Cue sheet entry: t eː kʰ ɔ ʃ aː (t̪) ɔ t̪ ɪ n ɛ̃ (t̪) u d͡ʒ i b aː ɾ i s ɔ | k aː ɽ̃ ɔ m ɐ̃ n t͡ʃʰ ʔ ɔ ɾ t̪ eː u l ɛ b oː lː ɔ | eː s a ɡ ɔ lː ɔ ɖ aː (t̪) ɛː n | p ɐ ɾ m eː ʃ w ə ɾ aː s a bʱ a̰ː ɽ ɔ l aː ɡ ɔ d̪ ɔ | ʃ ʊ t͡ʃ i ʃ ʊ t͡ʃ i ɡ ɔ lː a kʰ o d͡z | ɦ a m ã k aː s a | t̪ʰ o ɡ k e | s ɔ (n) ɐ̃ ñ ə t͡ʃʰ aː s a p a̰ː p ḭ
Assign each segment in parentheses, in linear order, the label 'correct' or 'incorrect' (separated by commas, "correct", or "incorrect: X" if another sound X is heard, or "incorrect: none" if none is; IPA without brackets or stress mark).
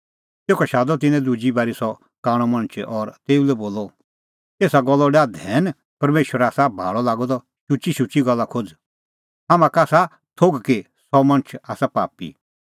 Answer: incorrect: d̪, incorrect: d̪, incorrect: d̪, incorrect: m